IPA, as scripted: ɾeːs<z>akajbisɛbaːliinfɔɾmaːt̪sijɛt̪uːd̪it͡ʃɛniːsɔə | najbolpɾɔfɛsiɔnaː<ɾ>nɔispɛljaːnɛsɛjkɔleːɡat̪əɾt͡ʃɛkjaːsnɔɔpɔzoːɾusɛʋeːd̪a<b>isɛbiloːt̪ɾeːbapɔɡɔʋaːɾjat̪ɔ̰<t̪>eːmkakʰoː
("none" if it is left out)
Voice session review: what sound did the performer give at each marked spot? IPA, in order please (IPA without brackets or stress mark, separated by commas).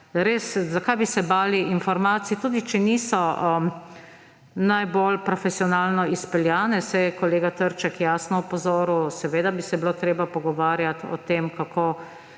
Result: z, l, b, t̪